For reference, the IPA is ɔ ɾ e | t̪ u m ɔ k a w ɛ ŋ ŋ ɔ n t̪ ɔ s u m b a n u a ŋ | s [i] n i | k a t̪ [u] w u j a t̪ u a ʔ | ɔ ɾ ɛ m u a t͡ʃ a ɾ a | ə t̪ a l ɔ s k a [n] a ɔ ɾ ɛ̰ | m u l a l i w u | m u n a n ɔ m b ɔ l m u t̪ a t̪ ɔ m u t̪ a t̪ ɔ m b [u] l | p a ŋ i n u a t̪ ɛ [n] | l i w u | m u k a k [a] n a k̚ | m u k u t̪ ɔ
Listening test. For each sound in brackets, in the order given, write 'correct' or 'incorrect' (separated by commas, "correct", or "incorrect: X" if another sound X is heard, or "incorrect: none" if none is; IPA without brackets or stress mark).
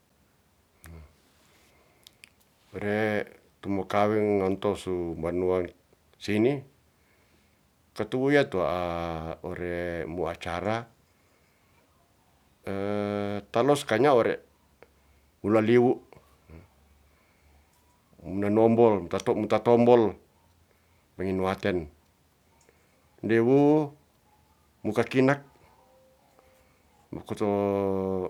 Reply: correct, correct, incorrect: ɲ, incorrect: ɔ, correct, incorrect: i